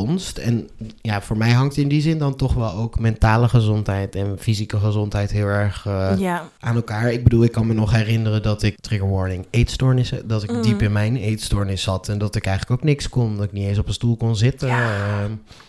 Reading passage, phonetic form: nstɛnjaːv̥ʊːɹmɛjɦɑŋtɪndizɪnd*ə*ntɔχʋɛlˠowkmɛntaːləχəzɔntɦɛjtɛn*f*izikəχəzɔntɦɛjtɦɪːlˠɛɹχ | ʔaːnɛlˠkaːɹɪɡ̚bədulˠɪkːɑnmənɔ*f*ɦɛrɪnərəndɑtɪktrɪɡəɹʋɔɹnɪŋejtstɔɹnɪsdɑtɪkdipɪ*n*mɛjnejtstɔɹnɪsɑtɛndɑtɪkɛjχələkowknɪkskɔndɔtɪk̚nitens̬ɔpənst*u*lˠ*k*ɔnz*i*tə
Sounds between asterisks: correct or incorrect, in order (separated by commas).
incorrect, correct, incorrect, correct, correct, correct, incorrect